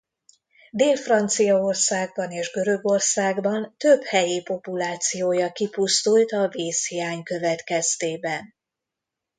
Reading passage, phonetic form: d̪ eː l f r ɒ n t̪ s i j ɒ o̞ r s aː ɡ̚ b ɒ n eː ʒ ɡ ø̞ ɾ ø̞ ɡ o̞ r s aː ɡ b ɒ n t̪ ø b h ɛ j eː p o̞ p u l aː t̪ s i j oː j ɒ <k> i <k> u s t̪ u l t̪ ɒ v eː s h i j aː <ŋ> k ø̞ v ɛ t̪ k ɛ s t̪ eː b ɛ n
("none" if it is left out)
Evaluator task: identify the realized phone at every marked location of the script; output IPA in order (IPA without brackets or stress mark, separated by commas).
k, p, ɲ